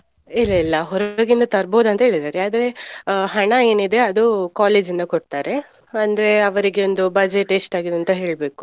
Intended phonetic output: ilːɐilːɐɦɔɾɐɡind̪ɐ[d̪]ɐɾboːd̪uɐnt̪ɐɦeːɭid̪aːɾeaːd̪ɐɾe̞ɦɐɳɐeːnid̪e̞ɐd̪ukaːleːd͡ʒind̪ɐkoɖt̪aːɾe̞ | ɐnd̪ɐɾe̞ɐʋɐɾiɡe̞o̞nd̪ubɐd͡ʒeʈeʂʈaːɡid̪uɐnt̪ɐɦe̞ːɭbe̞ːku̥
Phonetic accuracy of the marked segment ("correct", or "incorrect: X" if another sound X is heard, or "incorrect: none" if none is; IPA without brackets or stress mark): incorrect: t̪